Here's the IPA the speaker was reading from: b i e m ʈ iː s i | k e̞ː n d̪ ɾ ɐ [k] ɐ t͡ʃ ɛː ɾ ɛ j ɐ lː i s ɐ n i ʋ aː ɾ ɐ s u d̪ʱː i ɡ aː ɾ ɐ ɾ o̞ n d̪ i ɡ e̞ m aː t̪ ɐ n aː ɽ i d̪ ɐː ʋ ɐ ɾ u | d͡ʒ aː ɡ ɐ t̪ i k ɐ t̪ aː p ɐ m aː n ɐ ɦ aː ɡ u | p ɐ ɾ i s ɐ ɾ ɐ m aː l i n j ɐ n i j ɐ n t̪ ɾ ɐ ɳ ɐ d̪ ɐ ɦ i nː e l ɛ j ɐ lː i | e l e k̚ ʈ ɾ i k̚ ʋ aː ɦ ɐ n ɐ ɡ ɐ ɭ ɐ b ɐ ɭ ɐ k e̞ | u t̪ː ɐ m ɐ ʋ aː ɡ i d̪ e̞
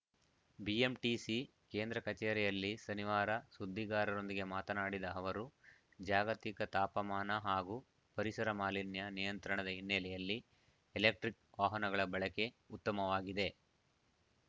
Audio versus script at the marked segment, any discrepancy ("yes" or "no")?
no